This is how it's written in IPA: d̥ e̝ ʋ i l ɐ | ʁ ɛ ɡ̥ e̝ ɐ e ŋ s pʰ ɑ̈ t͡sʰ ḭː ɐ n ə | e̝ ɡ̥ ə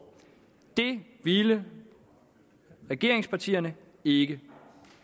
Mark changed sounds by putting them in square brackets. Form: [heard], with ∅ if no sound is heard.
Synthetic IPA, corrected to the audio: d̥ e̝ ʋ i l [ə] | ʁ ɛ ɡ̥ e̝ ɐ e ŋ s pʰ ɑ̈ t͡sʰ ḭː ɐ n ə | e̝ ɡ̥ ə